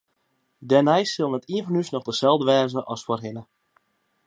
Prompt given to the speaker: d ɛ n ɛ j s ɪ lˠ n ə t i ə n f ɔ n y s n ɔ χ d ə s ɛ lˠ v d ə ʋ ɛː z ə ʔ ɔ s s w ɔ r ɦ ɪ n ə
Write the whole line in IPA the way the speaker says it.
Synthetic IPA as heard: d ɛ n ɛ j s ɪ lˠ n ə t i ə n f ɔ n y s n ɔ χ d ə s ɛ lˠ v d ə ʋ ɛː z ə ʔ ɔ s f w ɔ r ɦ ɪ n ə